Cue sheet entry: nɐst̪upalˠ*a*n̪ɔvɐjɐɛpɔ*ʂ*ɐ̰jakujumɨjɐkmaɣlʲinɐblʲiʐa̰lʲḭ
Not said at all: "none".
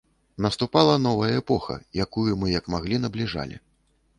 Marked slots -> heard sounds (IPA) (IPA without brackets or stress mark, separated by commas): ɐ, x